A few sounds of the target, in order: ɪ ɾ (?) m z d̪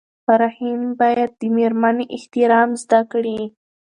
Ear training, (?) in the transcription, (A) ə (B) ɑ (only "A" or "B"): B